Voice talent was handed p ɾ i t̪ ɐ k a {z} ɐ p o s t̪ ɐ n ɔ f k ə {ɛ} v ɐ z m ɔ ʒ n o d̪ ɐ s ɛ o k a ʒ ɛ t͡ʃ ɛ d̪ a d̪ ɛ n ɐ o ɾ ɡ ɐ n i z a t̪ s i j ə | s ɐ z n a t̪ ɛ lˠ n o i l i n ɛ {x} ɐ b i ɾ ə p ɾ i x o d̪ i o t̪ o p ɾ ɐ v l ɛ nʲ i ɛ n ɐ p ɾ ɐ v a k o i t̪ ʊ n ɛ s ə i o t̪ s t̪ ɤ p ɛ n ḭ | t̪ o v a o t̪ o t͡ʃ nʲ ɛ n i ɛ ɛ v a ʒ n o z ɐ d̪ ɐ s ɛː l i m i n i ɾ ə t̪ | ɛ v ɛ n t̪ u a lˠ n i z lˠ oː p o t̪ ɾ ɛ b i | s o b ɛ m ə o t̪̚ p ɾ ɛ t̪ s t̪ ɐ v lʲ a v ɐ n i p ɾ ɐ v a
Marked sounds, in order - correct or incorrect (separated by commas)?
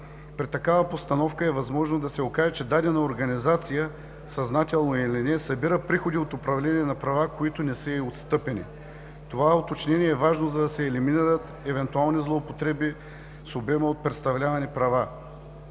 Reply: incorrect, correct, incorrect